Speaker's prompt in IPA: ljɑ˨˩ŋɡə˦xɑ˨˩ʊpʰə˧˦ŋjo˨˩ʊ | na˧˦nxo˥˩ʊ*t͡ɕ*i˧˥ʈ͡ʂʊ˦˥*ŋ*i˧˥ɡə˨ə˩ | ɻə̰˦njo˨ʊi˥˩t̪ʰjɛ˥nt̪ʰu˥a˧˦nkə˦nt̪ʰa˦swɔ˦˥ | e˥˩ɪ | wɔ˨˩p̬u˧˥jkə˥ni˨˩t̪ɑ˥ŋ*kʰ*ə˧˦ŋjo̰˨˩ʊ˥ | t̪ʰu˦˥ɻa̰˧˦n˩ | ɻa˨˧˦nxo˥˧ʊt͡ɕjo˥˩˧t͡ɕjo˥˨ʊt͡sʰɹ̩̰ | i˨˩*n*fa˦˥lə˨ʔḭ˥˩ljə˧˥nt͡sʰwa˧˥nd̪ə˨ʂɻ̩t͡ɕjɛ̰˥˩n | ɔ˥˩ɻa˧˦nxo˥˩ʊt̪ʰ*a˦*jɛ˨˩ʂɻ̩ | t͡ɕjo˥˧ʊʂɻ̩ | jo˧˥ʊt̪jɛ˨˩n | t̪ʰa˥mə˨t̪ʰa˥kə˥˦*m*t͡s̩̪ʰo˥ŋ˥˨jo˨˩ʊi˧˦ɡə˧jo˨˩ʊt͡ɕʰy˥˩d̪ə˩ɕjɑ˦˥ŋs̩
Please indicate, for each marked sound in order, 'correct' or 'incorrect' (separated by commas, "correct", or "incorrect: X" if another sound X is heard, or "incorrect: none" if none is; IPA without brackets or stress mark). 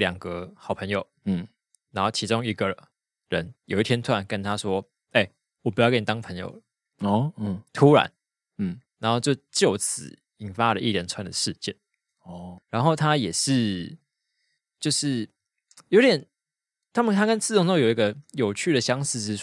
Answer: incorrect: t͡ɕʰ, correct, incorrect: pʰ, correct, correct, incorrect: n